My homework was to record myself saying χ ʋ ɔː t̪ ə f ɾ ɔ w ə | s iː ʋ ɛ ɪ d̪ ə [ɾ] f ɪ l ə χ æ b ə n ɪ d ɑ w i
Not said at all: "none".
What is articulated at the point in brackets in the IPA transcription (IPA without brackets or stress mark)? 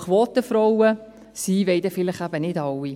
none